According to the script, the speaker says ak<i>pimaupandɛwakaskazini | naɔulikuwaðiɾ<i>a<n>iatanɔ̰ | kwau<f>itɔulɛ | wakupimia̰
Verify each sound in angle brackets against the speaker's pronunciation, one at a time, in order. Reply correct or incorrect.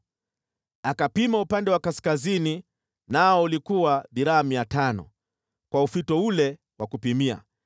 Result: incorrect: a, incorrect: a, incorrect: m, correct

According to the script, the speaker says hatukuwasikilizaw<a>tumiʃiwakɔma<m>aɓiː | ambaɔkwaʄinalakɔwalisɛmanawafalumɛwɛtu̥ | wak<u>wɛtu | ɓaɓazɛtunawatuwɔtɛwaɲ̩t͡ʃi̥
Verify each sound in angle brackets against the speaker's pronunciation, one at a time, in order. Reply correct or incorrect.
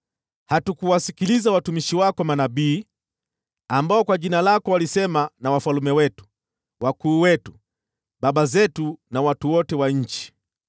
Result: correct, incorrect: n, incorrect: uː

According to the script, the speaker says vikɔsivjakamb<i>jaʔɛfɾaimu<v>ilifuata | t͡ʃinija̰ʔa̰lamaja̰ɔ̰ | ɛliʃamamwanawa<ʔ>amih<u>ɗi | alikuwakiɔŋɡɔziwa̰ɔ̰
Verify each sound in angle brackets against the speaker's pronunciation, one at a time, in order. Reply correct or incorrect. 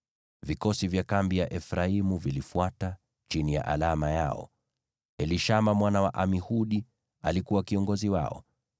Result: correct, correct, correct, correct

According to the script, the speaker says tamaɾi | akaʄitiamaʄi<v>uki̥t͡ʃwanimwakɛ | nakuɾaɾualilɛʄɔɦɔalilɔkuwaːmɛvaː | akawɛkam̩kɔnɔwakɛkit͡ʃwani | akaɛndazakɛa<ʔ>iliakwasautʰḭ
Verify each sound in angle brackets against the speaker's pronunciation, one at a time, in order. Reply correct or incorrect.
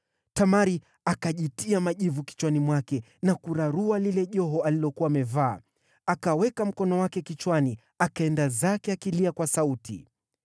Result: correct, incorrect: k

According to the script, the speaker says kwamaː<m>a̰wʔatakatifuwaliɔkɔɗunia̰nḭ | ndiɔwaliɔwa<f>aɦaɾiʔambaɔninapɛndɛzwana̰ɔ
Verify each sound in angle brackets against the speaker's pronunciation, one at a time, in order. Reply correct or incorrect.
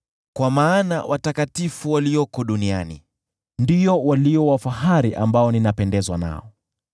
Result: incorrect: n, correct

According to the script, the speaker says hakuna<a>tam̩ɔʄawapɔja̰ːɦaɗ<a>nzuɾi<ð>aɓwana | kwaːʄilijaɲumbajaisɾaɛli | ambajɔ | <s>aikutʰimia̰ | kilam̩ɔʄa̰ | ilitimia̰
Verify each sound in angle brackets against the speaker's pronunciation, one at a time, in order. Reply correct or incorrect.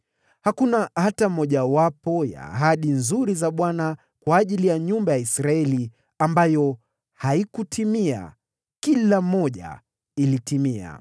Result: correct, incorrect: i, incorrect: z, incorrect: h

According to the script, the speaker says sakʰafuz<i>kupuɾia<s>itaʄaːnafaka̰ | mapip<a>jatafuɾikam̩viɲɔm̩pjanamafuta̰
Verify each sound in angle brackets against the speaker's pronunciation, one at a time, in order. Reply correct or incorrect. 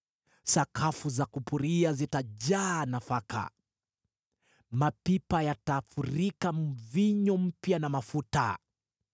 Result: incorrect: a, incorrect: z, correct

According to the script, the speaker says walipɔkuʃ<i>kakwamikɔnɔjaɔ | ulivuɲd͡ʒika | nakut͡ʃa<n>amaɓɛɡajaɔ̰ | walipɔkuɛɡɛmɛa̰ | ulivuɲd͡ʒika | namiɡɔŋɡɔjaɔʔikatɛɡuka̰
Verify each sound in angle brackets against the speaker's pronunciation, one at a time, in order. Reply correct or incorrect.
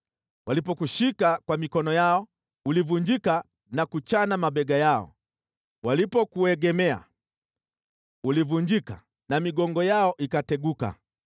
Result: correct, correct

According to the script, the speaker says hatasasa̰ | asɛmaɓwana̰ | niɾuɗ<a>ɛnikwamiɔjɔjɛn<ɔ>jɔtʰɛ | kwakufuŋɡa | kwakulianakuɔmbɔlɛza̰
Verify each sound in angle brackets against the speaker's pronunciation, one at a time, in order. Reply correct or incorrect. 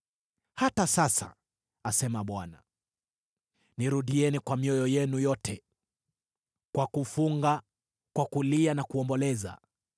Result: incorrect: i, incorrect: u

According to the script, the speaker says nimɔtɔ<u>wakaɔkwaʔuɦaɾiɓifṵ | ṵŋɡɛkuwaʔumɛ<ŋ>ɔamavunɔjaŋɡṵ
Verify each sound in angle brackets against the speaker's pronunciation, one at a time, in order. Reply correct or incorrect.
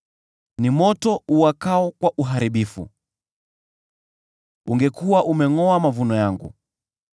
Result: correct, correct

